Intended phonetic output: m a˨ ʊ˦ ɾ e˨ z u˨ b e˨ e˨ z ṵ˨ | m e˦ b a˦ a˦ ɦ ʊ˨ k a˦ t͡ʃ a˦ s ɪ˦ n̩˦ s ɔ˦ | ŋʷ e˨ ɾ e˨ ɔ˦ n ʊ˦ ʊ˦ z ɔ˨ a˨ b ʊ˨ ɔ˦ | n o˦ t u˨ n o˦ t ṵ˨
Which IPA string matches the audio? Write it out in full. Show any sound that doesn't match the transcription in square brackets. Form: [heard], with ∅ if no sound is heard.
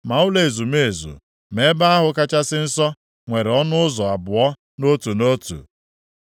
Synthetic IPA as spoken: m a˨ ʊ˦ [l] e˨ z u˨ [m] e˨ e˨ z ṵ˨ | m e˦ b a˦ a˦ ɦ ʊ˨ k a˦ t͡ʃ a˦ s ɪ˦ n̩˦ s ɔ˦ | ŋʷ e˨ ɾ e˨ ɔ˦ n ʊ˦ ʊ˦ z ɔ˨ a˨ b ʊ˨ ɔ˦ | n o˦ t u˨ n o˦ t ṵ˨

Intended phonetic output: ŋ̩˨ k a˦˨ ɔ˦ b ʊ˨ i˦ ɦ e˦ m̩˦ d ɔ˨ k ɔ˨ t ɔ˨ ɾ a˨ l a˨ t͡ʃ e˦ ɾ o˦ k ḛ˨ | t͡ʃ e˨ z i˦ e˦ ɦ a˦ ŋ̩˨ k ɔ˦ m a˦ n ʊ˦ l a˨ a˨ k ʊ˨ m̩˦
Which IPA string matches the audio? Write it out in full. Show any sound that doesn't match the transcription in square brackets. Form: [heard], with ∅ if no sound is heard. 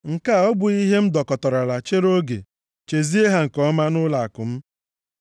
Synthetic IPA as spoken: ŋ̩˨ k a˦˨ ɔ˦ b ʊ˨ i˦ ɦ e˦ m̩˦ d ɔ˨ k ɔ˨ t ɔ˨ ɾ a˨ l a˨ t͡ʃ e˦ ɾ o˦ [ɡ] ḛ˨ | t͡ʃ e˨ z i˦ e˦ ɦ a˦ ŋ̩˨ k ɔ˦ m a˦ n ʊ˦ l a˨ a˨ k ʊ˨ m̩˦

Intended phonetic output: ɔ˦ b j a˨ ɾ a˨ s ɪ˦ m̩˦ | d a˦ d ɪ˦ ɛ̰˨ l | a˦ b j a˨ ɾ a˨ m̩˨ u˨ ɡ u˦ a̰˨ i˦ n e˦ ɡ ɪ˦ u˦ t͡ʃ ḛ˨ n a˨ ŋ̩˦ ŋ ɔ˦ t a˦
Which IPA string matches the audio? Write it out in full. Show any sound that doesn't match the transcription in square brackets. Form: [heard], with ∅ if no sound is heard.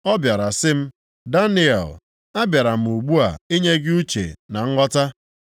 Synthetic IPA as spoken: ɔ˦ b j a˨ ɾ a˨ s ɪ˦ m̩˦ | d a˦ [n] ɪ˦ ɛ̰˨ l | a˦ b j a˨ ɾ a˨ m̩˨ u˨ [ɡ͡b] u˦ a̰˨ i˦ [ɲ] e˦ ɡ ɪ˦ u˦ t͡ʃ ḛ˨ n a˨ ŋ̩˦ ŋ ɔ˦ t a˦

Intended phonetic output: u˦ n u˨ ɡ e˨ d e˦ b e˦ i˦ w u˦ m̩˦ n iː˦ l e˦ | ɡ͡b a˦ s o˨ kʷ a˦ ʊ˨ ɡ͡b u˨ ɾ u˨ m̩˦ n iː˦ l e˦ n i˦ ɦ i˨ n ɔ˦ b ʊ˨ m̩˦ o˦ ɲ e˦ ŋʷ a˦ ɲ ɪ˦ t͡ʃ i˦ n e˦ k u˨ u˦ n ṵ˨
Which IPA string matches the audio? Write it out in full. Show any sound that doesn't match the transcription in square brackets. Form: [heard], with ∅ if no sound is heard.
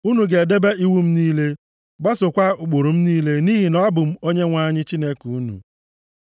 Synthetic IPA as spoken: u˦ n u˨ ɡ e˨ d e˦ b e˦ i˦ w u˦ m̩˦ n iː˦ l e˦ | ɡ͡b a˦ s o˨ kʷ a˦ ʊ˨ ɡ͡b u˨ ɾ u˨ m̩˦ n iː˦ l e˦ n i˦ ɦ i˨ n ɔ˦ b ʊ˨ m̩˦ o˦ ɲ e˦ ŋʷ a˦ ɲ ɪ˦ t͡ʃ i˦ n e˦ k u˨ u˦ n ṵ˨

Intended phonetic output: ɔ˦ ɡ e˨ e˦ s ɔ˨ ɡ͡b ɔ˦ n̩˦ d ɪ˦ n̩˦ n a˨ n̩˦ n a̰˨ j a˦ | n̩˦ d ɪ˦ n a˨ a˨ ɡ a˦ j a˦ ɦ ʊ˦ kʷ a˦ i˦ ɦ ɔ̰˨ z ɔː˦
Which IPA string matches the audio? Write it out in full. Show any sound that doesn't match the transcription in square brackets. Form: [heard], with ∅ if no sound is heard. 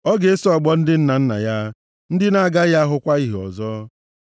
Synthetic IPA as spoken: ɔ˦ ɡ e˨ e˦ s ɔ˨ ɡ͡b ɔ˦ n̩˦ d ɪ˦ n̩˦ n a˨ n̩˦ n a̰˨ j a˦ | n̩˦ d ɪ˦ n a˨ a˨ ɡ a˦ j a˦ ɦ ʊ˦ kʷ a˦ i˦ ɦ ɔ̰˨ z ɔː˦

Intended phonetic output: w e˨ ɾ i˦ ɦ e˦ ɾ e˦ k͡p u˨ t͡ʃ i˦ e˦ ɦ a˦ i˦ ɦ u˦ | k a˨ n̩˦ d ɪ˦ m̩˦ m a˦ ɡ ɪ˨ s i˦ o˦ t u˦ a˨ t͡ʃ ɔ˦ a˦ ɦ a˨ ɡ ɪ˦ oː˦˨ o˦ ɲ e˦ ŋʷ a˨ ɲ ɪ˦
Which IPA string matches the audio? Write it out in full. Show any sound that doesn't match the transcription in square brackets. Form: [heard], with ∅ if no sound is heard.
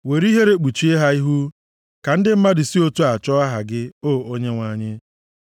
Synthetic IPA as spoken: w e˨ ɾ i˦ ɦ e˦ ɾ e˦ k͡p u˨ t͡ʃ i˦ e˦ ɦ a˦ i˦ ɦ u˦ | k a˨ n̩˦ d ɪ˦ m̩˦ m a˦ [d] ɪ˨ s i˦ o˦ t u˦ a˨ t͡ʃ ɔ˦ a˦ ɦ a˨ ɡ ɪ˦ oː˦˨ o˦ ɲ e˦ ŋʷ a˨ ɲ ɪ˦

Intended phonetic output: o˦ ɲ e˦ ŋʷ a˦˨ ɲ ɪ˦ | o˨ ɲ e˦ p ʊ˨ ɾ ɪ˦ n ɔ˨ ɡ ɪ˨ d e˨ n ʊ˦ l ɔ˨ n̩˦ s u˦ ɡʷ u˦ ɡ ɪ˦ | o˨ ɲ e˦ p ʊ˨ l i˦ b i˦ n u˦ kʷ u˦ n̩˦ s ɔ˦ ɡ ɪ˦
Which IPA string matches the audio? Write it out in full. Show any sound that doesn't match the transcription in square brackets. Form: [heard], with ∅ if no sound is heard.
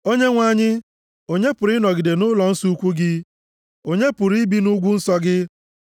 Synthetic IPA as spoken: o˦ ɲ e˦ ŋʷ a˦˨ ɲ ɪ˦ | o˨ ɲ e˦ p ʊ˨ ɾ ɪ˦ n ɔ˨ ɡ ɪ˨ d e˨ n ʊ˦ l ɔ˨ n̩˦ s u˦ [kʷ] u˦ ɡ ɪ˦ | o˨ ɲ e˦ p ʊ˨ [ɾ] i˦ b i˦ n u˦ [ɡʷ] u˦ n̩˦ s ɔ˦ ɡ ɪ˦

